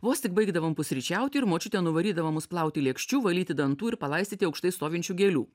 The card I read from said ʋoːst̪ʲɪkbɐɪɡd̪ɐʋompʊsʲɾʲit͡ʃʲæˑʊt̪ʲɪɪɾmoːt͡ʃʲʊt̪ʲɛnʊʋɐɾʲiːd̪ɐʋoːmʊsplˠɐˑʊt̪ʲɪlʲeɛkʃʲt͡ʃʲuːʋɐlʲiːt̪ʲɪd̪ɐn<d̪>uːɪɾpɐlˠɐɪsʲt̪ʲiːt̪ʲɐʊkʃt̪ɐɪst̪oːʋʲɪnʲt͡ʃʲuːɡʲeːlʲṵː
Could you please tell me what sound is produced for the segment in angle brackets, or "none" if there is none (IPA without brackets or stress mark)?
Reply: t̪